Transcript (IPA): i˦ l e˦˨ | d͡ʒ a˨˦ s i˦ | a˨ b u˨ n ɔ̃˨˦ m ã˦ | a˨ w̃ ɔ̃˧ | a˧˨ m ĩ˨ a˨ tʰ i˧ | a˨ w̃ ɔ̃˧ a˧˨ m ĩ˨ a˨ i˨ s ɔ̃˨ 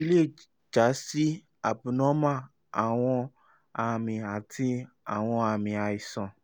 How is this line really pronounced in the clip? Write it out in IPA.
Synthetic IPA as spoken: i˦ l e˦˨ | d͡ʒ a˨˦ s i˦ | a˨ b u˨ n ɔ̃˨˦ m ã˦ | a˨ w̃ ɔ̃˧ | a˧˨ m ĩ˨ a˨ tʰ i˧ | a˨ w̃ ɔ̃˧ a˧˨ m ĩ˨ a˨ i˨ s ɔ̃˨